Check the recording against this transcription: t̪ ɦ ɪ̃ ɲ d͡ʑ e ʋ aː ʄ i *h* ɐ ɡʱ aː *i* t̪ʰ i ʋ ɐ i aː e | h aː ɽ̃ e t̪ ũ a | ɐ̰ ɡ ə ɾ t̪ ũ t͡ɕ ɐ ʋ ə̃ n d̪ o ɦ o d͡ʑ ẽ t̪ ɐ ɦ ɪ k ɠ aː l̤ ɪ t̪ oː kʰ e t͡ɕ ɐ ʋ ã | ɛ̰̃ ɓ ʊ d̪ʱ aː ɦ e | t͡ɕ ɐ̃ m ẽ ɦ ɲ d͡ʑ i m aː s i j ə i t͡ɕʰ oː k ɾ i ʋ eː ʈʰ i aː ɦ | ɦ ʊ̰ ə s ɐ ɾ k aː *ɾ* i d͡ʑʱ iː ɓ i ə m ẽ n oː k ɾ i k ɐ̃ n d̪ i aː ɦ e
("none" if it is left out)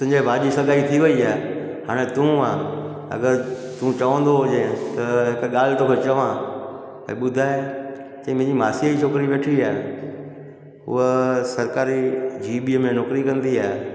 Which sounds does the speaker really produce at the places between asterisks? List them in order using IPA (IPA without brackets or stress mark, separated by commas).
s, i, ɾ